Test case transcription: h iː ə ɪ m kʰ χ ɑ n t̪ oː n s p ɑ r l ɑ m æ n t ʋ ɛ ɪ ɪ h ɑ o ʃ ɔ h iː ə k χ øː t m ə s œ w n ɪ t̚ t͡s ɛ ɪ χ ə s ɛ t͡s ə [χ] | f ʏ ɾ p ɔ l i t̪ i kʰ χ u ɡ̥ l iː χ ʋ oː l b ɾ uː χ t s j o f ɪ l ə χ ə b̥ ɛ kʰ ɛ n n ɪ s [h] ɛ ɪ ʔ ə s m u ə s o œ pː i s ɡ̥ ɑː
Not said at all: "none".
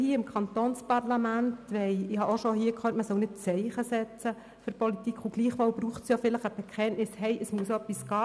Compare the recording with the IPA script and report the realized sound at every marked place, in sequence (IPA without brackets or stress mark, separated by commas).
none, h